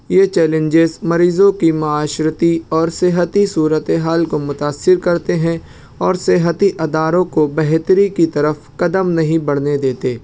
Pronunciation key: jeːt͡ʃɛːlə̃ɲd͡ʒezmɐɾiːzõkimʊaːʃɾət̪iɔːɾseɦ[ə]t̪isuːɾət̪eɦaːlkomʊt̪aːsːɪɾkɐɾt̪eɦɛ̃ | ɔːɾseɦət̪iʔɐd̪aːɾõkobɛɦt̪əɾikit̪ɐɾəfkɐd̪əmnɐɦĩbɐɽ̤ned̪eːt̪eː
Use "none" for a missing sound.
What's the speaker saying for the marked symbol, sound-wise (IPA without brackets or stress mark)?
ə